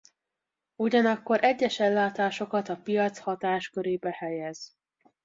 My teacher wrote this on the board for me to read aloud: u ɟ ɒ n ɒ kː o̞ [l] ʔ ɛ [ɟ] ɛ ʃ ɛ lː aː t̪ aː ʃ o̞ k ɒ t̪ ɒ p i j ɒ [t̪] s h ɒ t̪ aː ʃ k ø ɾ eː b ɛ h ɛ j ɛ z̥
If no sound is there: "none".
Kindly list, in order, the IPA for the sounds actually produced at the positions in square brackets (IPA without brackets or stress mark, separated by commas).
ɾ, ɟː, t̪